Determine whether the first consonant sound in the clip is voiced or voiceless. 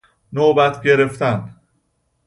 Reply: voiced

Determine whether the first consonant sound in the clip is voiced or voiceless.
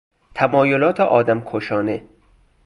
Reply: voiceless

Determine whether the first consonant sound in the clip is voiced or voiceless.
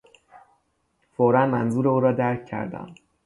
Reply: voiceless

